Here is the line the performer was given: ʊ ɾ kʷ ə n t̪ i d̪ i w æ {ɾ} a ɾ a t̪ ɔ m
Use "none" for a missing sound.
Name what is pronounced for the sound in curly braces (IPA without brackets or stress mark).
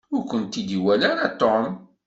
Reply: l